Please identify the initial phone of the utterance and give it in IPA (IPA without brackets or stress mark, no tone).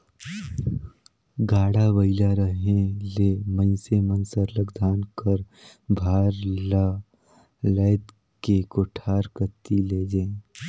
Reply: ɡ